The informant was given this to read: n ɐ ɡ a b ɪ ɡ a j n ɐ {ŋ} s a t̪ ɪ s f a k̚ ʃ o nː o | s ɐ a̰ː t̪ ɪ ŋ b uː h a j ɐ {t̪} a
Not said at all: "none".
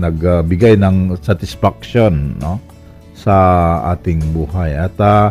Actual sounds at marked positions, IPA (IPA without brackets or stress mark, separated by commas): ŋ, t̪